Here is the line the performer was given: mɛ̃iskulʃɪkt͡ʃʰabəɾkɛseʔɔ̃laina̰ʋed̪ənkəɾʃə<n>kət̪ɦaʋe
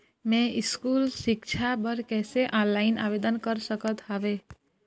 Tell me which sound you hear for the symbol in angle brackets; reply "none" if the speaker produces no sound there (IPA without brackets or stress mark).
none